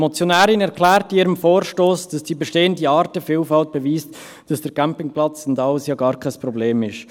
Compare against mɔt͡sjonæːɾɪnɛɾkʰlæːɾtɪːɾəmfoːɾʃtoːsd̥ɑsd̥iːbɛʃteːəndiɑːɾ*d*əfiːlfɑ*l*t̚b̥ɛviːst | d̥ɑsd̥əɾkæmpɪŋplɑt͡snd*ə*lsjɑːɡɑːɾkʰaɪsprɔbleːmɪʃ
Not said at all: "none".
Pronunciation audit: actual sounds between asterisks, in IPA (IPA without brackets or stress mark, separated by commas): t, l, ɑ